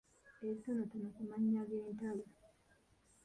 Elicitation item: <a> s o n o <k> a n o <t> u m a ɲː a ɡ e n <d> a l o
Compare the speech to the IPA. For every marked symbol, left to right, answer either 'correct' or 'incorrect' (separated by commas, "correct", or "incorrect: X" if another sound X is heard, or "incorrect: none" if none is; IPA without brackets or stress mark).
incorrect: e, incorrect: t, incorrect: k, incorrect: t